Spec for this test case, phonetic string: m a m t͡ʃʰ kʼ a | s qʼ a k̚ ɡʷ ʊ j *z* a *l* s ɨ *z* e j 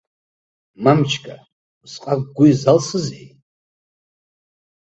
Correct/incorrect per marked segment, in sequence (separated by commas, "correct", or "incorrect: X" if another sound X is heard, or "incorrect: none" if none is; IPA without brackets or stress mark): correct, correct, correct